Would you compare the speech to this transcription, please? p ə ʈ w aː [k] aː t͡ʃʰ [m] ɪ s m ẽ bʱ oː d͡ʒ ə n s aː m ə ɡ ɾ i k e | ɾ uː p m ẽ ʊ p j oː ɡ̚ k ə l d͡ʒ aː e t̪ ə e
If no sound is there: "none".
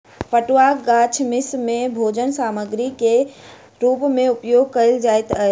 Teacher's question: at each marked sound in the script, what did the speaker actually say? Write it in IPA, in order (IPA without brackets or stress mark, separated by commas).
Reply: ɡ, m